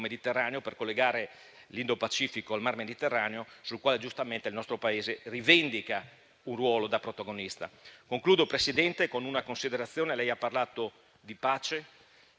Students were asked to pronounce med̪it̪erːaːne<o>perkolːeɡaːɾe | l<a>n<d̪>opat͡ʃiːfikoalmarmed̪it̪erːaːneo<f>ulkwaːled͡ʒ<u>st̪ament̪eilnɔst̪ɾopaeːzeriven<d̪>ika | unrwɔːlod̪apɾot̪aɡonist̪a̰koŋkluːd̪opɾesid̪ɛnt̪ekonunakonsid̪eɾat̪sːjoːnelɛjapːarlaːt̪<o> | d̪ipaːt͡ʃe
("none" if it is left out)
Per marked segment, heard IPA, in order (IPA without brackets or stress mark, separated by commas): o, i, d̪, s, u, d̪, o